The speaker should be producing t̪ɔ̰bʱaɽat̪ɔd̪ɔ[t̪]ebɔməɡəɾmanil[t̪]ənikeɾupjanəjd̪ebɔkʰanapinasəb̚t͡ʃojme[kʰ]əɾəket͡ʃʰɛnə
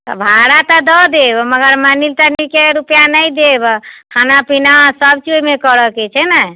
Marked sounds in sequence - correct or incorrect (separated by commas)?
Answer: incorrect, correct, incorrect